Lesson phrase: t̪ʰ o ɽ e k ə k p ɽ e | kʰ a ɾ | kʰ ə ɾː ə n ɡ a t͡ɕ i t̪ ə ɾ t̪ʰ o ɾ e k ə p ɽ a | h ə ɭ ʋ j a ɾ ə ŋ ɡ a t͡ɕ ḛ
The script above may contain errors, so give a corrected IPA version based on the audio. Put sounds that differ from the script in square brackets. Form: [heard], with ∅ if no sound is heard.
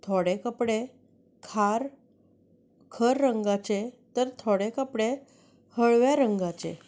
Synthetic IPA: t̪ʰ o ɽ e k ə [∅] p ɽ e | kʰ a ɾ | kʰ ə ɾː ə [ŋ] ɡ a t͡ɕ [e] t̪ ə ɾ t̪ʰ o [ɽ] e k ə p ɽ [e] | h ə ɭ ʋ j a ɾ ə ŋ ɡ a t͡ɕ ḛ